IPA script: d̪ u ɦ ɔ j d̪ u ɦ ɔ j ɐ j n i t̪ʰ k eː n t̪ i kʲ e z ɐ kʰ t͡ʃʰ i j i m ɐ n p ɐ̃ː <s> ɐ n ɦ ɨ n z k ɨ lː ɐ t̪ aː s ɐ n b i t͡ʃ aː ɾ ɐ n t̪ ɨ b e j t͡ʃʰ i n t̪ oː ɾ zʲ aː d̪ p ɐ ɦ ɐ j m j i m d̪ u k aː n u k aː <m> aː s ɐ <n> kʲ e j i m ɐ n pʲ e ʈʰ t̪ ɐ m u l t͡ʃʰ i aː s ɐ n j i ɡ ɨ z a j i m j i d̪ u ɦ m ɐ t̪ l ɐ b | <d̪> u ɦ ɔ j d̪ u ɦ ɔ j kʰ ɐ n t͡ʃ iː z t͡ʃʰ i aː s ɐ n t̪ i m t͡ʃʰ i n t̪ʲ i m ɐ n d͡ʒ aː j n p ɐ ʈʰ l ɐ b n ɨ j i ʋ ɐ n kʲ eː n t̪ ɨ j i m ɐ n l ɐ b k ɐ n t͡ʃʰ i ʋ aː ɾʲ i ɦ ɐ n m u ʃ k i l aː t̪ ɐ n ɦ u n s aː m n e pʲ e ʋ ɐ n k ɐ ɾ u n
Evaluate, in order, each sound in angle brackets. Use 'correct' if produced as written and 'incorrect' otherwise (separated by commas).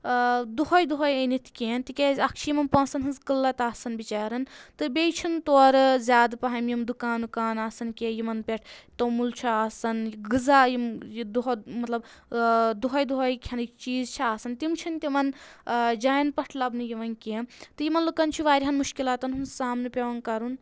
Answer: correct, incorrect, correct, correct